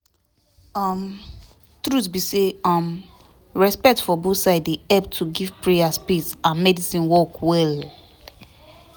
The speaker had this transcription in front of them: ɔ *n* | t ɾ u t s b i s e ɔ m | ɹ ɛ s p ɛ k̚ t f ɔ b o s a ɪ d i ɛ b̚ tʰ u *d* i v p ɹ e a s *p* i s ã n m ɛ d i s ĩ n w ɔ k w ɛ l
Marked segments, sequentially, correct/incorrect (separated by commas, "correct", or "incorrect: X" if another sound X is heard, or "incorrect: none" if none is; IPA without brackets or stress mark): incorrect: m, incorrect: ɡ, correct